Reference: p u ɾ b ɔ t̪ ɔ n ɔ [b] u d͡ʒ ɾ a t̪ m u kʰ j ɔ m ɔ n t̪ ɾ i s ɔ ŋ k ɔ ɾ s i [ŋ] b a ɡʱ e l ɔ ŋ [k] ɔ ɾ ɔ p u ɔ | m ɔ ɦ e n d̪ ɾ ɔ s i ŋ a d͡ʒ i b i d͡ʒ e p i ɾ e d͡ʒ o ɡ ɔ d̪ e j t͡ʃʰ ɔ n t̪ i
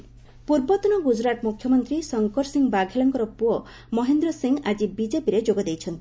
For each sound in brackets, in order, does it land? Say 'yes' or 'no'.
no, yes, yes

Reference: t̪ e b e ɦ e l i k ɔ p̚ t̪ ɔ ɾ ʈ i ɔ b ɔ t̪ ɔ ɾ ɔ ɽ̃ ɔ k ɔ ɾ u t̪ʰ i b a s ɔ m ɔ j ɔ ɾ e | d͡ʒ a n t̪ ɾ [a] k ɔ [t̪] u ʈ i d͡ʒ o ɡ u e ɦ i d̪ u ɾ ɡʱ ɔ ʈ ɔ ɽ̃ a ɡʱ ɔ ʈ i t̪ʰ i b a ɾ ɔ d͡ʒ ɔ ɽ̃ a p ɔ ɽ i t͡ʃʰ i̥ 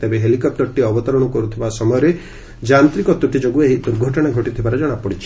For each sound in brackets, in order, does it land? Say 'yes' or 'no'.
no, yes

